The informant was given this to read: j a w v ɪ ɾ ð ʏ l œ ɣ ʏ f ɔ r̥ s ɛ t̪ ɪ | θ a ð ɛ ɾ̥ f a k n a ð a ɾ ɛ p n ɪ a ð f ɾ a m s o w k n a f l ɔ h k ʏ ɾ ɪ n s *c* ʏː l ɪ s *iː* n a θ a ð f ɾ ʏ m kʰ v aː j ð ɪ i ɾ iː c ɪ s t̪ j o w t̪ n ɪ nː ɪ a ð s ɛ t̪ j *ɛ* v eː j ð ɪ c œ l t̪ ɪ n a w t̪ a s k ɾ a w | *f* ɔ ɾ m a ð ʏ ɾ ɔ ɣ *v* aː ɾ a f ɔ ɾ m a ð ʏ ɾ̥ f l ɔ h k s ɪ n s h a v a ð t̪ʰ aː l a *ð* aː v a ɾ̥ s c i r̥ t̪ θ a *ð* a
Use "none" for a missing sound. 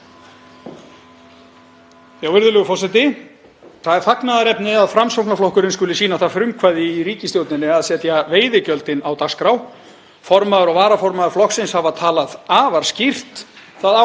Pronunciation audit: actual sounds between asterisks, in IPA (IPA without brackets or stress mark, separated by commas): k, iː, a, f, v, ð, ð